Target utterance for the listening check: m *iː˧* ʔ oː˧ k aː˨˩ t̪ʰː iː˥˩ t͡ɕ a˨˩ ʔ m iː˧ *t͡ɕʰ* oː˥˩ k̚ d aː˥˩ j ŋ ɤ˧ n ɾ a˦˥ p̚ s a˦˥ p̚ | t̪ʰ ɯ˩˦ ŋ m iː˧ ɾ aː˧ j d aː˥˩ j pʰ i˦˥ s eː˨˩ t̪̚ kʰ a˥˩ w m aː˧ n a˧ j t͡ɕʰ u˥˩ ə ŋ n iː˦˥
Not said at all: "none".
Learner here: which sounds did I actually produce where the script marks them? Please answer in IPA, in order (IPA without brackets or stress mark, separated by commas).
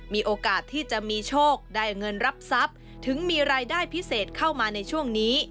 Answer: iː˧, t͡ɕʰ